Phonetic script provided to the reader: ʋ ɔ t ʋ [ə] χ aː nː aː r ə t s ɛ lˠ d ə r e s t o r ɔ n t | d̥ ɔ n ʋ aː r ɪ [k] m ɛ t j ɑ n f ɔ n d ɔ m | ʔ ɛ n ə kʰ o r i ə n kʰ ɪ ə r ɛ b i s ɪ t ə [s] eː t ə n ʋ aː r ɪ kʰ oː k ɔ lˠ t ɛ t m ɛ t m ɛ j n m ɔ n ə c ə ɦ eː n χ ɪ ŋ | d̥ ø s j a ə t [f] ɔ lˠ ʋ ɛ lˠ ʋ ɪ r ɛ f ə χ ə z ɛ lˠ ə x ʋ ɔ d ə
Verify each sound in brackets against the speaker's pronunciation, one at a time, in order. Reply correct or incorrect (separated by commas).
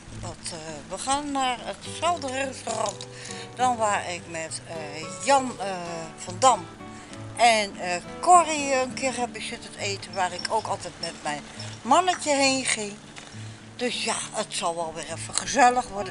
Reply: correct, correct, incorrect, incorrect